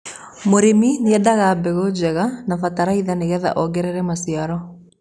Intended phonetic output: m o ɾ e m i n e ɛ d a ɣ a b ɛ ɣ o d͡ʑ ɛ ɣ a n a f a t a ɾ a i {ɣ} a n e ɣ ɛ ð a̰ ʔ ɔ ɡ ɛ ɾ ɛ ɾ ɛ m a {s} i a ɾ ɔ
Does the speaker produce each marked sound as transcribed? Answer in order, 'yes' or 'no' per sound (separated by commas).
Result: no, yes